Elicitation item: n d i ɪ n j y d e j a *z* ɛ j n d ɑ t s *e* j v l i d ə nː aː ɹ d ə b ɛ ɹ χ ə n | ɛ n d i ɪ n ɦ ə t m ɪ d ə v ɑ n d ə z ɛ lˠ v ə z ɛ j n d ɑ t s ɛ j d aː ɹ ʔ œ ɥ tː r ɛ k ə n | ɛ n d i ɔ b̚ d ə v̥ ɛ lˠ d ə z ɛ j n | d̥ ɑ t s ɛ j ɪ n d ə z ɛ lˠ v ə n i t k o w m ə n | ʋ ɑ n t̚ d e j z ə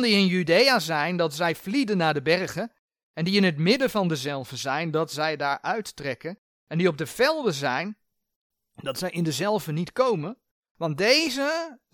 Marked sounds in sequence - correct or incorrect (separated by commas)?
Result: correct, incorrect